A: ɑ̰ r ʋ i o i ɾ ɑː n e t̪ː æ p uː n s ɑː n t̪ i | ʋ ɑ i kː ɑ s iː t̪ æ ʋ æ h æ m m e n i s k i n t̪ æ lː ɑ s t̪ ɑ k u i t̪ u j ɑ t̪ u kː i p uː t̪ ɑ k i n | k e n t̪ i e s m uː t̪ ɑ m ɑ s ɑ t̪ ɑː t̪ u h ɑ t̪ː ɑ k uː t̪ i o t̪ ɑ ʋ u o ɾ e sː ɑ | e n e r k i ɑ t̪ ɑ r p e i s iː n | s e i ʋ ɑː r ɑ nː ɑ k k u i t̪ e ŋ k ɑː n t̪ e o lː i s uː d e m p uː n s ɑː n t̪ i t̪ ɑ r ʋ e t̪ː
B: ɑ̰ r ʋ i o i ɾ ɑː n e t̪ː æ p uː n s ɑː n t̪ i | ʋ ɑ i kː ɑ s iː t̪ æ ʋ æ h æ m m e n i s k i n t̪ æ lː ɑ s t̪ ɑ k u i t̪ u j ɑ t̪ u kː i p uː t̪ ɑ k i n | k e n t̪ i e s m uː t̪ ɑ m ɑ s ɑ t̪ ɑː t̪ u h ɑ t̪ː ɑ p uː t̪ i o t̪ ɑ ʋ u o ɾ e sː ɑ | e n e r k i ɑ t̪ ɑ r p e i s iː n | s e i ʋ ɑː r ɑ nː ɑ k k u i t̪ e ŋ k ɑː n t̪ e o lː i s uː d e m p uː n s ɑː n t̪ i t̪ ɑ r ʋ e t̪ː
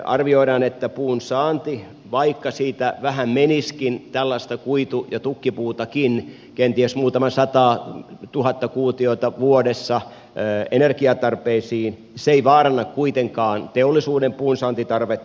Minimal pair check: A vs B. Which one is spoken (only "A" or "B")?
A